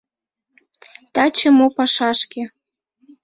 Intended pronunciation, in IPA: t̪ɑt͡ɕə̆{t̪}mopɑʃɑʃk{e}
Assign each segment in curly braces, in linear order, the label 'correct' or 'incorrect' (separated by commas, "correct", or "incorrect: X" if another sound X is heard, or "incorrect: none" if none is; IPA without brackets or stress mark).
incorrect: none, correct